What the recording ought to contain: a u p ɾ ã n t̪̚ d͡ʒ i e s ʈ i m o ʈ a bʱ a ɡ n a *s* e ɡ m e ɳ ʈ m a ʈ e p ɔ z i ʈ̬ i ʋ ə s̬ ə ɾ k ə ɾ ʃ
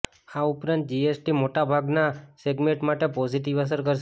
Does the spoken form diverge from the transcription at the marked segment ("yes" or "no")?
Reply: no